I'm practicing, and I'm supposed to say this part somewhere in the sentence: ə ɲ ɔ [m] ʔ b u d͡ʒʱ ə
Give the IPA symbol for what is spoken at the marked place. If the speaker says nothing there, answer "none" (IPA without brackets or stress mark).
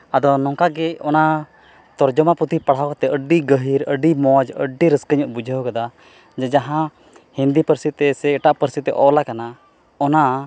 none